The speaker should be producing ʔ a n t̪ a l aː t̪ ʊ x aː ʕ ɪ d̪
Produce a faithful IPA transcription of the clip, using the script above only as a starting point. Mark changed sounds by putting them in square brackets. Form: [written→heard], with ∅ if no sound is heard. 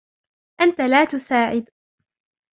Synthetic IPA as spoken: ʔ a n t̪ a l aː t̪ ʊ [x→s] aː ʕ ɪ d̪